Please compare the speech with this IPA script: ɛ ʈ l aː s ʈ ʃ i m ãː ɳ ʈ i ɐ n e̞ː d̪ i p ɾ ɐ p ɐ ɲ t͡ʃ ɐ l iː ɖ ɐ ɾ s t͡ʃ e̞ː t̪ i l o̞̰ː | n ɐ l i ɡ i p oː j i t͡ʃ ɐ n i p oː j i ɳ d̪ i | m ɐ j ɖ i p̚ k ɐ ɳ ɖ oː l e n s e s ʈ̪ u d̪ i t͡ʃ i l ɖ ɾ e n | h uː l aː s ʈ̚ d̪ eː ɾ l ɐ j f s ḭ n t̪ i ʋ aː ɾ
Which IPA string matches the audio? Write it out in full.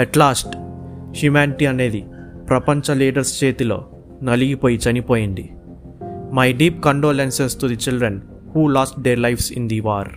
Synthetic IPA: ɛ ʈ l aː s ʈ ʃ i m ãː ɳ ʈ i ɐ n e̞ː d̪ i p ɾ ɐ p ɐ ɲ t͡ʃ ɐ l iː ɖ ɐ ɾ s t͡ʃ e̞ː t̪ i l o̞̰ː | n ɐ l i ɡ i p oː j i t͡ʃ ɐ n i p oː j i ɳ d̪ i | m ɐ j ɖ iː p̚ k ɐ ɳ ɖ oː l e n s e s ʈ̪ u d̪ i t͡ʃ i l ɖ ɾ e n | h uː l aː s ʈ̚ d̪ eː ɾ l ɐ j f s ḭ n d̪ i ʋ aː ɾ